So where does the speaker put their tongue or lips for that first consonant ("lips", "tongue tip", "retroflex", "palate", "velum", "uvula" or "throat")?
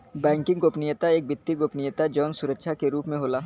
lips